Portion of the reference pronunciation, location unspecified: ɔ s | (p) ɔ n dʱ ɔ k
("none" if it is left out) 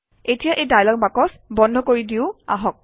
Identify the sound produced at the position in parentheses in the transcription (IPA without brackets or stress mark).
b